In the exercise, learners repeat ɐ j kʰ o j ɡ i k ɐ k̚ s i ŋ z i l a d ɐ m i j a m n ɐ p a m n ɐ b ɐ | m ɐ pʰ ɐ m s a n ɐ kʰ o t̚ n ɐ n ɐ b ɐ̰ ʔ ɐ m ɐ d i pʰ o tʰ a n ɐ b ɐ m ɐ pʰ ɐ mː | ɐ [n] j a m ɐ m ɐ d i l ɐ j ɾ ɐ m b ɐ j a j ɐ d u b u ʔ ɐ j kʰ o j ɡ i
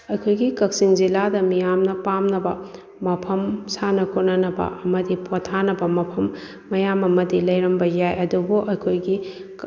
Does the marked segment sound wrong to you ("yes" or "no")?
yes